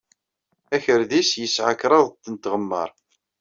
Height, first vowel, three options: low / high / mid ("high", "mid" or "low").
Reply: low